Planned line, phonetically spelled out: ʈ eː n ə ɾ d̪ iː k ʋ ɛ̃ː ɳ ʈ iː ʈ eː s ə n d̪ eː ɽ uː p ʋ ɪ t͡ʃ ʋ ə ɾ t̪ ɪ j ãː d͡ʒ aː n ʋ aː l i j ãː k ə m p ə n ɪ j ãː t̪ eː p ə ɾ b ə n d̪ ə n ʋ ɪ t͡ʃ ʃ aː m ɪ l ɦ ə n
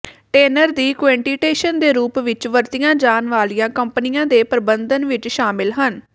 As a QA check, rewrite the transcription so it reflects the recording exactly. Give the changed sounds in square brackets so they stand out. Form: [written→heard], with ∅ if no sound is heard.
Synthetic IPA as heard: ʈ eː n ə ɾ d̪ iː k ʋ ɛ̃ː ɳ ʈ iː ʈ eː [s→ʃ] ə n d̪ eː [ɽ→ɾ] uː p ʋ ɪ t͡ʃ ʋ ə ɾ t̪ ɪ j ãː d͡ʒ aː n ʋ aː l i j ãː k ə m p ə n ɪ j ãː [t̪→d̪] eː p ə ɾ b ə n d̪ ə n ʋ ɪ t͡ʃ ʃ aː m ɪ l ɦ ə n